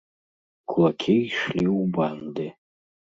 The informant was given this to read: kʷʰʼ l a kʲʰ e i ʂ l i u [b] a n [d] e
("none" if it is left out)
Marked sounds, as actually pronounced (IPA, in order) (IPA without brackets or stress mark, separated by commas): b, d